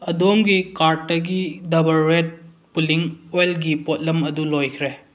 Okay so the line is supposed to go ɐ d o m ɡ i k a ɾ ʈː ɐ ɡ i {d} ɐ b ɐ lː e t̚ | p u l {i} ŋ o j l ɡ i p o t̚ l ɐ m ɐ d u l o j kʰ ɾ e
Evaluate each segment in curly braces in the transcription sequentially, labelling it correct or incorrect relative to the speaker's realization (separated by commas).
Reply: correct, correct